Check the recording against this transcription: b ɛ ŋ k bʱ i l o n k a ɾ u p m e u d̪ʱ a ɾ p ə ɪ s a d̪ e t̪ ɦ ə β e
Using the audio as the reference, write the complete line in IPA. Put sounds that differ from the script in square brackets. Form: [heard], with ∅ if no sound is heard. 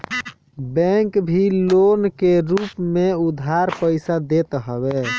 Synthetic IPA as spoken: b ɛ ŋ k bʱ i l o n k [e] ɾ u p m e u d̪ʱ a ɾ p ə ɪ s a d̪ e t̪ ɦ ə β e

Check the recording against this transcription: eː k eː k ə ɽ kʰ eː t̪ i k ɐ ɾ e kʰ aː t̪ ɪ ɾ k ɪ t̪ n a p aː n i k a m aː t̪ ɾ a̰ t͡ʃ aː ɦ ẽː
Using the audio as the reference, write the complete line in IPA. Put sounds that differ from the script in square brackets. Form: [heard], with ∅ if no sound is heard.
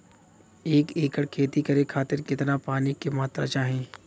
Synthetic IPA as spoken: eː k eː k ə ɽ kʰ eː t̪ i k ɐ ɾ e kʰ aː t̪ ɪ ɾ k ɪ t̪ n a p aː n i k [e] m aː t̪ ɾ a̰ t͡ʃ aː ɦ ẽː

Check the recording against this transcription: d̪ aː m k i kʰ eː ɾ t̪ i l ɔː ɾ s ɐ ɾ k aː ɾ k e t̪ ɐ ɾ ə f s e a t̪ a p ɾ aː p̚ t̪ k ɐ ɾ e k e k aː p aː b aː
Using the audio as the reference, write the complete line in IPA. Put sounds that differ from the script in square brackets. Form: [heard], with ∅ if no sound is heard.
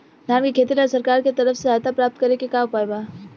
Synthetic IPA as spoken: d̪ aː m k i kʰ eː [∅] t̪ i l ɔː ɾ s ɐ ɾ k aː ɾ k e t̪ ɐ ɾ ə f s e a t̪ a p ɾ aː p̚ t̪ k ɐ ɾ e k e k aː p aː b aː

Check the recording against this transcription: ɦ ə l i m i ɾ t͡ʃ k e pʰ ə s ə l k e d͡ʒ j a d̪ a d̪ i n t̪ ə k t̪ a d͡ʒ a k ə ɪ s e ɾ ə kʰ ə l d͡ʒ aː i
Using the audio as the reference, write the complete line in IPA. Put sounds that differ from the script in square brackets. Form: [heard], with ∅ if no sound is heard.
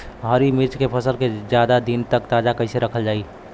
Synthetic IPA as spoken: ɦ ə [ɾ] i m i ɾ t͡ʃ k e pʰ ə s ə l k e d͡ʒ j a d̪ a d̪ i n t̪ ə k t̪ a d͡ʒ a k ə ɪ s e ɾ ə kʰ ə l d͡ʒ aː i

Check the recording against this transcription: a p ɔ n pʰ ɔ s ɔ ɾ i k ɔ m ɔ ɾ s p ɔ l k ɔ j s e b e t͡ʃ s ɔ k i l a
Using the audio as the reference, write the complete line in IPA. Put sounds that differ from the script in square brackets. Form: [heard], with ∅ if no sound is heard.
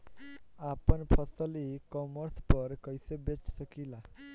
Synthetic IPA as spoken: a p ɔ n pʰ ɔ s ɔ [l] i k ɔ m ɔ ɾ s p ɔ [ɾ] k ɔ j s e b e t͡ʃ s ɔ k i l a

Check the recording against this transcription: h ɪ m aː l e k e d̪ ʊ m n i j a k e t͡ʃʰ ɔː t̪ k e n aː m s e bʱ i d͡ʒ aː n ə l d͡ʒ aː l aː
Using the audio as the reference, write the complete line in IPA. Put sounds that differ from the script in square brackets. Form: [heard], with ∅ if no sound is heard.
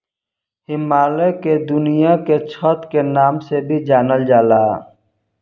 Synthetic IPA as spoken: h ɪ m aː l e k e d̪ ʊ [∅] n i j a k e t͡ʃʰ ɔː t̪ k e n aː m s e bʱ i d͡ʒ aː n ə l d͡ʒ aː l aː

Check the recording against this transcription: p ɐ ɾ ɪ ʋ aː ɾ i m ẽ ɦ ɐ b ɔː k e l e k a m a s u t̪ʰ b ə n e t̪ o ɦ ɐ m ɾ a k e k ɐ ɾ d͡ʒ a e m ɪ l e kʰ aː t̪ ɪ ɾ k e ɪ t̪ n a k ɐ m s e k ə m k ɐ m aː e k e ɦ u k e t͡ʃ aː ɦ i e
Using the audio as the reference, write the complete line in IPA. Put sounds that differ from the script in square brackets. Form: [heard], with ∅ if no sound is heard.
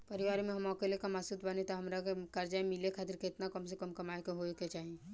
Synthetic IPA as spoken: p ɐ ɾ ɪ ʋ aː ɾ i m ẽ ɦ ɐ [m] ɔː k e l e k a m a s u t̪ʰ b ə n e t̪ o ɦ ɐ m ɾ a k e k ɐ ɾ d͡ʒ a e m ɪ l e kʰ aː t̪ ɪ ɾ k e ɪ t̪ n a k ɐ m s e k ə m k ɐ m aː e k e ɦ [o] k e t͡ʃ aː ɦ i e

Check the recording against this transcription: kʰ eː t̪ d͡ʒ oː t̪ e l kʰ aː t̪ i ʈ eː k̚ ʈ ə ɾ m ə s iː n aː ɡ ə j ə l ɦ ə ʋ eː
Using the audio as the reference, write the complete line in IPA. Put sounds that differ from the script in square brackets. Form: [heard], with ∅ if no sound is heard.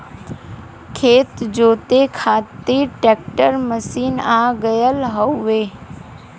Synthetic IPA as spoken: kʰ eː t̪ d͡ʒ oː t̪ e [∅] kʰ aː t̪ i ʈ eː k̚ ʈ ə ɾ m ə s iː n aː ɡ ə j ə l ɦ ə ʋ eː

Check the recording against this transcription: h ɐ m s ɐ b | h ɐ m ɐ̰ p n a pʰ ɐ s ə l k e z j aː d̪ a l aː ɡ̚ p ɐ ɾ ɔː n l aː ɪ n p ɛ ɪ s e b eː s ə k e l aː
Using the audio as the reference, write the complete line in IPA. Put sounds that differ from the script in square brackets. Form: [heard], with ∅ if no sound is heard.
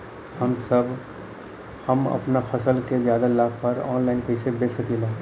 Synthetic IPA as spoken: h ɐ m s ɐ b | h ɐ m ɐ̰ p n a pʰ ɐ s ə l k e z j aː d̪ a l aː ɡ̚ p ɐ ɾ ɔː n l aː ɪ n p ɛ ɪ s e b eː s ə k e l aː

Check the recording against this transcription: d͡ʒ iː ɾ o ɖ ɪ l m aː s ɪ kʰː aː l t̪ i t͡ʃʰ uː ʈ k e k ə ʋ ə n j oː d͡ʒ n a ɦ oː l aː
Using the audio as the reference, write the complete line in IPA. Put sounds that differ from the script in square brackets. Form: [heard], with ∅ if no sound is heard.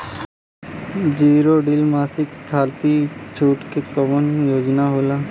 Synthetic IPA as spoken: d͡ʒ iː ɾ o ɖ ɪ l m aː s ɪ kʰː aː l t̪ i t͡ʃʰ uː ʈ k e k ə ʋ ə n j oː d͡ʒ n a ɦ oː l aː

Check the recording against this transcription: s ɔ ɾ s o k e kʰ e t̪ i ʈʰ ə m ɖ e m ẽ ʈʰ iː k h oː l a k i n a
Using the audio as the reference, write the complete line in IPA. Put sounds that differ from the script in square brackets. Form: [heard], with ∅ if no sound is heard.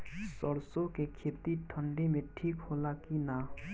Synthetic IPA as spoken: s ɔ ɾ s o k e kʰ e t̪ i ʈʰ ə [ɳ] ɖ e m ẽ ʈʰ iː k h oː l a k i n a

